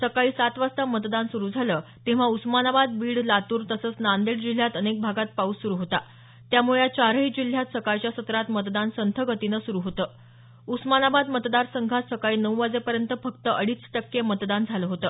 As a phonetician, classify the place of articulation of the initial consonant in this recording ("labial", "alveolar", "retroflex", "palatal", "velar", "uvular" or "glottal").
alveolar